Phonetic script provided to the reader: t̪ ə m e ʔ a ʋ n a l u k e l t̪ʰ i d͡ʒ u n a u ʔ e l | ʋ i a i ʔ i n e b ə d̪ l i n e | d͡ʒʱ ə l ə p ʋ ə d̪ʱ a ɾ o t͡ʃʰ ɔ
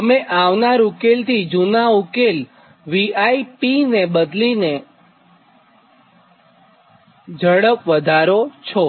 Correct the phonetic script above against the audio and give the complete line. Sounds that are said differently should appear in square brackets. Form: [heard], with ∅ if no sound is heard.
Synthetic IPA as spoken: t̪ ə m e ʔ a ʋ n a [ɾ] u k e l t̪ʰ i d͡ʒ u n a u [k] e l | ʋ i a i [p] i n e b ə d̪ l i n e | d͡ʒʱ ə [ɽ] ə p ʋ ə d̪ʱ a ɾ o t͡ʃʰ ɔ